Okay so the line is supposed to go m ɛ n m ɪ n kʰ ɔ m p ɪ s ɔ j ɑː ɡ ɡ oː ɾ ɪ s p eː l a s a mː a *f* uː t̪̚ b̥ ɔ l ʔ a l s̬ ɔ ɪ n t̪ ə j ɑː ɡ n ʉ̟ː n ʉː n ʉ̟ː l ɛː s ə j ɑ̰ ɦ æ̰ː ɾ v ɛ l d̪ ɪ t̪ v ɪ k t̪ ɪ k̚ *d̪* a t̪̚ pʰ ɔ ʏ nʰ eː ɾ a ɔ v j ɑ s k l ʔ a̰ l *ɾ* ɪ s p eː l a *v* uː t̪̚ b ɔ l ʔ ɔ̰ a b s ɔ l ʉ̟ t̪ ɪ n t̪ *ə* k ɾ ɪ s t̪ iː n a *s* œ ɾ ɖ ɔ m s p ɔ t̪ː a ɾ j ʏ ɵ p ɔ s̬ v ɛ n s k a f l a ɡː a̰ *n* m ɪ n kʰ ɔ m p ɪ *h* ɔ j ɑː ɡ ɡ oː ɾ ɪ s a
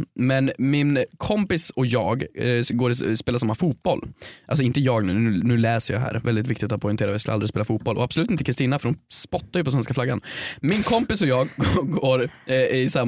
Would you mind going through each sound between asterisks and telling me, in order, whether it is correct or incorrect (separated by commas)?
correct, incorrect, correct, incorrect, correct, incorrect, correct, incorrect